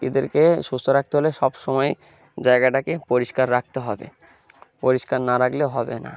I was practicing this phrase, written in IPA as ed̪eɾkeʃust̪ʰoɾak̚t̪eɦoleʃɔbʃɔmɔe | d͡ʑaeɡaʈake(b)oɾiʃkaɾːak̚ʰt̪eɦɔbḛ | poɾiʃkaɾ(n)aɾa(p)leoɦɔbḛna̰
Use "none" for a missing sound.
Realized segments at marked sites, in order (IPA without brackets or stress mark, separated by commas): p, n, k